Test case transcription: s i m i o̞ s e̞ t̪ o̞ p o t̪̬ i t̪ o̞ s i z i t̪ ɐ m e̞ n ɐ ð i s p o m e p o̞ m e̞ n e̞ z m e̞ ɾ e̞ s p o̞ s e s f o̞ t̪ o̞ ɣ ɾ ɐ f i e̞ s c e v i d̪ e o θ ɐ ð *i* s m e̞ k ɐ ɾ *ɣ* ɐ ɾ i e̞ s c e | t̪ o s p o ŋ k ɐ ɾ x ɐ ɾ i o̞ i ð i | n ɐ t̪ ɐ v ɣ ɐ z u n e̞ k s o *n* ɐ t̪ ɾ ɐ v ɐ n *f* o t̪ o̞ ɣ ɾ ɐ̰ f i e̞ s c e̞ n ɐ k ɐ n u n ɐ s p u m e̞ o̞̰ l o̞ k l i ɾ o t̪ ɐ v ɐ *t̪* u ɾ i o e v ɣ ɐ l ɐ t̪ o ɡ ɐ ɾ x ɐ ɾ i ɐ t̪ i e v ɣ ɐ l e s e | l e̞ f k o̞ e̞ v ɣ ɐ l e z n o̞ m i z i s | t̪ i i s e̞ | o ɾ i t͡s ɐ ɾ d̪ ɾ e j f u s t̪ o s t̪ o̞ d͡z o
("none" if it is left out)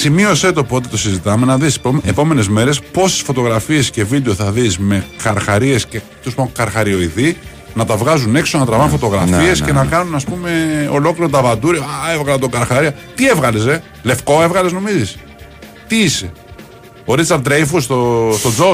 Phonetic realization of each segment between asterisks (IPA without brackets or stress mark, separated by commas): i, x, n, f, d̪